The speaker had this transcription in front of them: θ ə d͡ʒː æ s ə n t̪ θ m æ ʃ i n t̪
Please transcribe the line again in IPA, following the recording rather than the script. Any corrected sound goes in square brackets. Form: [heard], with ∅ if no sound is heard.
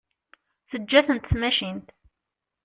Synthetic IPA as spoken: θ ə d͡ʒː æ [θ] ə n t̪ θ m æ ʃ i n t̪